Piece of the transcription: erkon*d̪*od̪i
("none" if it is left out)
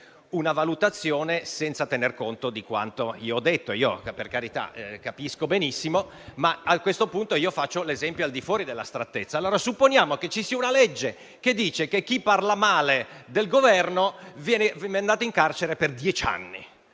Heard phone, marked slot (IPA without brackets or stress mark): t̪